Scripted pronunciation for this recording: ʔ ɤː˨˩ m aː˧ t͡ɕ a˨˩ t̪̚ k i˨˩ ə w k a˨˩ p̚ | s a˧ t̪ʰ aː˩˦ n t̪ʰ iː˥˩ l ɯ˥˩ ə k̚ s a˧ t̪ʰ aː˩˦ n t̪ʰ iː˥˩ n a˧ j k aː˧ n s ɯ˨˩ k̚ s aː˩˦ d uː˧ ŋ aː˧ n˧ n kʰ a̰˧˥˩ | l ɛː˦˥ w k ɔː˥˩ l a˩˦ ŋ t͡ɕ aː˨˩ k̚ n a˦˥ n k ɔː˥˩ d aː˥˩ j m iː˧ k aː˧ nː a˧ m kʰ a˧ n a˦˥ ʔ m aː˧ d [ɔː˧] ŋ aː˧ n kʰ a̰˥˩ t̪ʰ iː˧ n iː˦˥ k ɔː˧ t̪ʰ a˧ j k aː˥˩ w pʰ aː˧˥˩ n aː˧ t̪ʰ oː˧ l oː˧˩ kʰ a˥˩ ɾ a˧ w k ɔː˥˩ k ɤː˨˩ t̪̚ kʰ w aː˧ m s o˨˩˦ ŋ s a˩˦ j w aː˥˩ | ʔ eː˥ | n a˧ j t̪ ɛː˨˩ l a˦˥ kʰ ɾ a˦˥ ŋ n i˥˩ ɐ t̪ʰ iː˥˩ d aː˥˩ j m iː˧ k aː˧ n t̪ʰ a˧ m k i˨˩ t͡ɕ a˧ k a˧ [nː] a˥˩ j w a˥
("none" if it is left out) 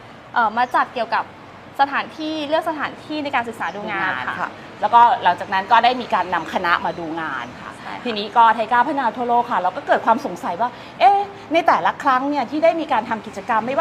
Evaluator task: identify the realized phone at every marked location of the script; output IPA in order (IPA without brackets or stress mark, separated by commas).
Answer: uː˧, mː